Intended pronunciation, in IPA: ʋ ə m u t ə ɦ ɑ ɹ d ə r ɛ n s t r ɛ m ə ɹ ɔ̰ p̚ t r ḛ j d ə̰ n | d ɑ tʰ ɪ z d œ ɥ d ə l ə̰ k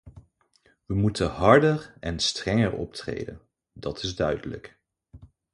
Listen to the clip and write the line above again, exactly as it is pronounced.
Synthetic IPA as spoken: ʋ ə m u t ə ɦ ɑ ɹ d ə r ɛ n s t r ɛ ŋ ə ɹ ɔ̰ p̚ t r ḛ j d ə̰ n | d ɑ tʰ ɪ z d œ ɥ d ə l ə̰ k